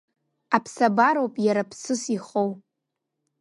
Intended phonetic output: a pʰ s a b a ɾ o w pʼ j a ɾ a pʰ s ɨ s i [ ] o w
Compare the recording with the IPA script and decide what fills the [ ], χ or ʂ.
χ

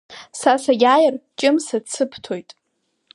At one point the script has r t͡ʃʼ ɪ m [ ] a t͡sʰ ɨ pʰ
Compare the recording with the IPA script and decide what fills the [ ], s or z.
s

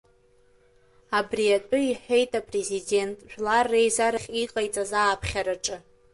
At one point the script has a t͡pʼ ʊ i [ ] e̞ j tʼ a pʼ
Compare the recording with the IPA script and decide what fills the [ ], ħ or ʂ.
ħ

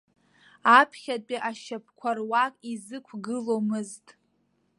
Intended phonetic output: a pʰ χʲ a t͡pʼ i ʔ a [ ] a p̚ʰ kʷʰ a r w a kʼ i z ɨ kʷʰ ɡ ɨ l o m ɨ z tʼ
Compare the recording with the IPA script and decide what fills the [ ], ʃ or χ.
ʃ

